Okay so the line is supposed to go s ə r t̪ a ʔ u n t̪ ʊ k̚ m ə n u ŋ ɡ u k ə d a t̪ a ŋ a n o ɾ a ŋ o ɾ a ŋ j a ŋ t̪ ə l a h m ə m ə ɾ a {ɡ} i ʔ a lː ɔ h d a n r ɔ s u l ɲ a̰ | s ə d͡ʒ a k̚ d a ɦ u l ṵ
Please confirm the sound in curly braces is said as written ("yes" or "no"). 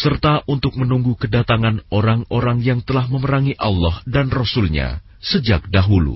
no